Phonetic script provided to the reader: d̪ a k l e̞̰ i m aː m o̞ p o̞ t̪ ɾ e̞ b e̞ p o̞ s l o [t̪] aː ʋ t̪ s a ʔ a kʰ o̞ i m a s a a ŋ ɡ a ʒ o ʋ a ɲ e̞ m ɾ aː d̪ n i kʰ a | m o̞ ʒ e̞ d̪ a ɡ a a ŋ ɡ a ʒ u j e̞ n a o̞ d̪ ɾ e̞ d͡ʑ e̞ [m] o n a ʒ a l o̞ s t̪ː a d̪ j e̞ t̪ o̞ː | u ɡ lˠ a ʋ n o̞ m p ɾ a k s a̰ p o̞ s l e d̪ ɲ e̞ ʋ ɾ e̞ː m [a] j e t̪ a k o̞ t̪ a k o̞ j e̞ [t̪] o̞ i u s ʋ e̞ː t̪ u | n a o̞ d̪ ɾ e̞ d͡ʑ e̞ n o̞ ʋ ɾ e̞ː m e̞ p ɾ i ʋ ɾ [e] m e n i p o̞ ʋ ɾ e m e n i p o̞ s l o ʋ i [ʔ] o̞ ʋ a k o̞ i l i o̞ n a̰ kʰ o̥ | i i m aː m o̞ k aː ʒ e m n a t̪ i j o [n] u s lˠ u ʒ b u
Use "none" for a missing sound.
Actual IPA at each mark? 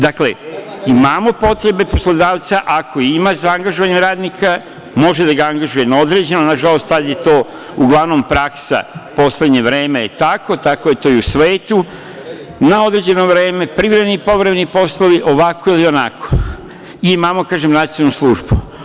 d̪, n, e, t̪, e, ʔ, n

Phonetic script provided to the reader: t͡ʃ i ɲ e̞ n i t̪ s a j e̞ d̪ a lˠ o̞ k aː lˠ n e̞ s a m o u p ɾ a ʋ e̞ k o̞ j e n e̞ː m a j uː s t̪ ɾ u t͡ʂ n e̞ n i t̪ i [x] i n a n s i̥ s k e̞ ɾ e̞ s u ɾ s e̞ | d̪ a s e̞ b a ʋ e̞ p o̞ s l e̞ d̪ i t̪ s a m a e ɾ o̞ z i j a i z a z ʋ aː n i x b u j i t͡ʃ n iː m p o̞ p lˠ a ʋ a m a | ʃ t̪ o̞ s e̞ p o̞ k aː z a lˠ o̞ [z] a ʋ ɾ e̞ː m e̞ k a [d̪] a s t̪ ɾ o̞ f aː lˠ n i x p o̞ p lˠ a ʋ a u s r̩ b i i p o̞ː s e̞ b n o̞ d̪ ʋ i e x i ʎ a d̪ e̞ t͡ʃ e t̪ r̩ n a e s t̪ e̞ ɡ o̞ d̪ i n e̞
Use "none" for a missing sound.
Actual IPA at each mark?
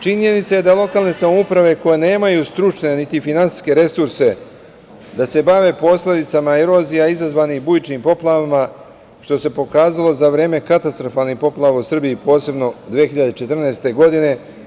f, z, t̪

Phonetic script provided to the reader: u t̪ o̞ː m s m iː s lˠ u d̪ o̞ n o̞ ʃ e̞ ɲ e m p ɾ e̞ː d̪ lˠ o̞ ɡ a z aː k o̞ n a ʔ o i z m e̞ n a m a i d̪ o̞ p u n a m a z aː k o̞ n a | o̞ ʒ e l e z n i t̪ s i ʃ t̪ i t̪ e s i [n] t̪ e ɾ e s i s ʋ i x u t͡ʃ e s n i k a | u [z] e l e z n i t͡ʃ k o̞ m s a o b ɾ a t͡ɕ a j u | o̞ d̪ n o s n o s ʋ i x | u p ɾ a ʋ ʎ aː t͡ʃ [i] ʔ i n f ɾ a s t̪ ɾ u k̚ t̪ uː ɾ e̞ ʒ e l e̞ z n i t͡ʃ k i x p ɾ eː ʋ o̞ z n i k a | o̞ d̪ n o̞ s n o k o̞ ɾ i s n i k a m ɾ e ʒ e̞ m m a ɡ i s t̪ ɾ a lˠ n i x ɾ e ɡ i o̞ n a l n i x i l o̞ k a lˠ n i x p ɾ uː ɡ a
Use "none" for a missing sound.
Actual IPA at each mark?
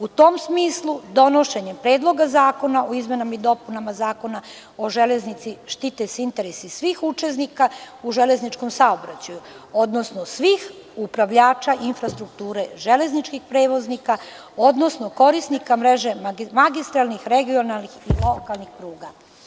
n, ʒ, a

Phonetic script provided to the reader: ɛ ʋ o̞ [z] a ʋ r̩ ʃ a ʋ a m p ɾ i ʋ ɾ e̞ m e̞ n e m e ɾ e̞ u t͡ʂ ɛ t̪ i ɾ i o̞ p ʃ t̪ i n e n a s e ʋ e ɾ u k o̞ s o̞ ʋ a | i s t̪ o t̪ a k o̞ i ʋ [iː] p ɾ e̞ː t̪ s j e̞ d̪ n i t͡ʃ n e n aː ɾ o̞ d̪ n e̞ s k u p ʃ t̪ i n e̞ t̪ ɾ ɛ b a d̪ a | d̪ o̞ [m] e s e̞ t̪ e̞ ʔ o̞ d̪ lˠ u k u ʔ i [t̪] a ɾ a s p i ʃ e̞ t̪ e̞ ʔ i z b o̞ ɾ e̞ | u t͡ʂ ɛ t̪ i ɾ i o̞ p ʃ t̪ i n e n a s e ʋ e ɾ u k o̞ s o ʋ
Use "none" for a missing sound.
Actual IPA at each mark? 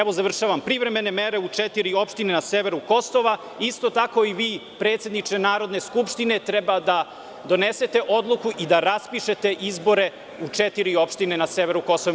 z, iː, n, d̪

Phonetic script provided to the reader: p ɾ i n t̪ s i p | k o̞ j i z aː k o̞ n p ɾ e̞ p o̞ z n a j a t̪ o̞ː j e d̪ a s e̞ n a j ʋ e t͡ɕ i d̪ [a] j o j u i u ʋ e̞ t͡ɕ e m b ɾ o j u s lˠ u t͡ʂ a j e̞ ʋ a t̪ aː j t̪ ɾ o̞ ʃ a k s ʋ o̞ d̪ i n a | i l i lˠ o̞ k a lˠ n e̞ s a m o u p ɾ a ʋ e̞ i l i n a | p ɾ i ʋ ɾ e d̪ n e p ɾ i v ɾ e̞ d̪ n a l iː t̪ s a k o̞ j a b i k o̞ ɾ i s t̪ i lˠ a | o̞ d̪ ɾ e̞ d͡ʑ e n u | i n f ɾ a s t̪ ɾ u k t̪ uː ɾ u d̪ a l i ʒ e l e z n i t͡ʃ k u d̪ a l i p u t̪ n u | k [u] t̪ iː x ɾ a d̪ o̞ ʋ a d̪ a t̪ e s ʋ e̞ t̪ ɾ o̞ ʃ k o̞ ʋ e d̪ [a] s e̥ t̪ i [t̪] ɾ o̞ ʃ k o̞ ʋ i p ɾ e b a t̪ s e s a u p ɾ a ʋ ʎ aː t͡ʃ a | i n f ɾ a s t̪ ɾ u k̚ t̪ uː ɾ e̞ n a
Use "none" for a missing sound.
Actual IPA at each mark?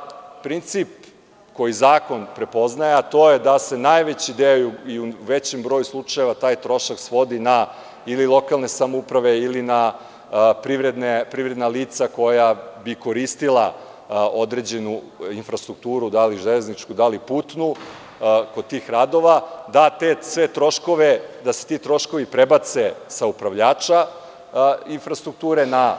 e, o, a, t̪

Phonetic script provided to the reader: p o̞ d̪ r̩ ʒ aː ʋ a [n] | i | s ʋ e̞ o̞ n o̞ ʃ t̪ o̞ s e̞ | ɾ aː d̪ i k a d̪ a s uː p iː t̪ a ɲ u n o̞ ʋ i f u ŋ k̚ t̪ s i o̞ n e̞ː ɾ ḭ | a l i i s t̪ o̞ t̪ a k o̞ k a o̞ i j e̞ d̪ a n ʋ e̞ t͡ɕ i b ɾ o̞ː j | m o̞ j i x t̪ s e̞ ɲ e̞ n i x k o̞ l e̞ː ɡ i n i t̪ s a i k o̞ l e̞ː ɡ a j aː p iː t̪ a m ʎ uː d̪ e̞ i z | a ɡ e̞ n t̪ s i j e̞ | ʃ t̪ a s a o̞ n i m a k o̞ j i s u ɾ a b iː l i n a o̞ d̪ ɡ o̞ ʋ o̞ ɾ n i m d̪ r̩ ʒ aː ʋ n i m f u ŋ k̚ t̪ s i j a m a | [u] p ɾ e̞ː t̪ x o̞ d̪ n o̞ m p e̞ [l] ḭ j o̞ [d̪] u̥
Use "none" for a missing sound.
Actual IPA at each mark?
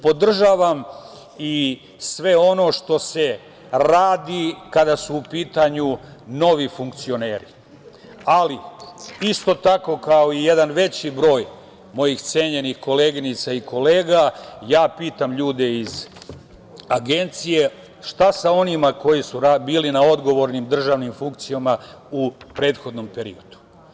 m, u, ɾ, d̪

